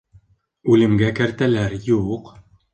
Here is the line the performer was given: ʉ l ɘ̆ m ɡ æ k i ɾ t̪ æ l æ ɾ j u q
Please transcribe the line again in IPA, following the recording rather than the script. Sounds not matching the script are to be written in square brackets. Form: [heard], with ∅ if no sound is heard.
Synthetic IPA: ʉ l ɘ̆ m ɡ æ k [æ] ɾ t̪ æ l æ ɾ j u q